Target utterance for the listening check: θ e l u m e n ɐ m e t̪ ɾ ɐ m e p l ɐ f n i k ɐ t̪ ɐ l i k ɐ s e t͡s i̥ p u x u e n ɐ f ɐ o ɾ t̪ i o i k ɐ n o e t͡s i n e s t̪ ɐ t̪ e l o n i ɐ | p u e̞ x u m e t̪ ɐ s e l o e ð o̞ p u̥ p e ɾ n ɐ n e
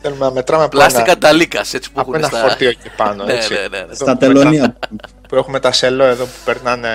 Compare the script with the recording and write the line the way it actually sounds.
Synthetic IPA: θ e l u m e n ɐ m e t̪ ɾ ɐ m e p l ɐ s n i k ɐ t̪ ɐ l i k ɐ s e t͡s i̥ p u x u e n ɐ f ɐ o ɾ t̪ i o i p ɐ n o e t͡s i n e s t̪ ɐ t̪ e l o n i ɐ | p u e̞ x u m e t̪ ɐ s e l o e ð o̞ p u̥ p e ɾ n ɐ n e